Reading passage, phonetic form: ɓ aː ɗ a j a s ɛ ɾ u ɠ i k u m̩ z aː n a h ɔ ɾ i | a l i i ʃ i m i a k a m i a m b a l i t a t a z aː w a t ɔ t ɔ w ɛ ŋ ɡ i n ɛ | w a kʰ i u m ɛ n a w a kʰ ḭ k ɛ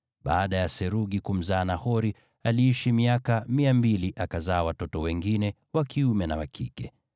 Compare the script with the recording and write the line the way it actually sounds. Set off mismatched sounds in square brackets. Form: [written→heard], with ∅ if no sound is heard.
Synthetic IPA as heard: ɓ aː ɗ a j a s ɛ ɾ u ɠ i k u m̩ z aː n a h ɔ ɾ i | a l i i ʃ i m i a k a m i a m b [a→i] l i [t→ʔ] a [t→k] a z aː w a t ɔ t ɔ w ɛ ŋ ɡ i n ɛ | w a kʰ i u m ɛ n a w a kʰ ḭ k ɛ